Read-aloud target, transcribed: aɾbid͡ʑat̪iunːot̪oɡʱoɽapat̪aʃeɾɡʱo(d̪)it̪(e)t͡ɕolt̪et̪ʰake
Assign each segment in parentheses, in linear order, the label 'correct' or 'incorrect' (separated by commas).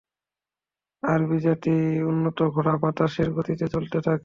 incorrect, correct